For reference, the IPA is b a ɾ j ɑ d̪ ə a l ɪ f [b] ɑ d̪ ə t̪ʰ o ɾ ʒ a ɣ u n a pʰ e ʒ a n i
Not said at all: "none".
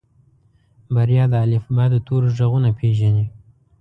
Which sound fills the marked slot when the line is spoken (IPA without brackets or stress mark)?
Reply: b